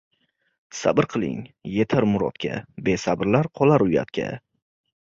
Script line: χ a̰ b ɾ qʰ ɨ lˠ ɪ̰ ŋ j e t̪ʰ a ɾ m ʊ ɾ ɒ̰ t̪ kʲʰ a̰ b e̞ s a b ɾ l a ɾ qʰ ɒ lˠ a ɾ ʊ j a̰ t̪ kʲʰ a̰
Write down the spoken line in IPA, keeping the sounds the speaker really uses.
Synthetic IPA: s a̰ b ɾ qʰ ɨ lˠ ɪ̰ ŋ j e t̪ʰ a ɾ m ʊ ɾ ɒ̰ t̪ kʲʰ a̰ b e̞ s a b ɾ l a ɾ qʰ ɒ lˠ a ɾ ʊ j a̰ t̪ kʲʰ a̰